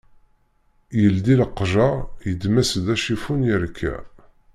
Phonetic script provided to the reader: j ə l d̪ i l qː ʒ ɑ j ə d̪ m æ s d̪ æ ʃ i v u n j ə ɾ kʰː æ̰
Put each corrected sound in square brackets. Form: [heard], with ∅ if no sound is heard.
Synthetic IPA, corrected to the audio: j ə l d̪ i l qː ʒ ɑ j ə d̪ m æ s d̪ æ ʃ i [f] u n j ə ɾ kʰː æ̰